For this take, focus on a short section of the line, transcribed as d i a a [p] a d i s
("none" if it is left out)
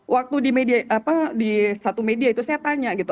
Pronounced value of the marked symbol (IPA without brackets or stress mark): p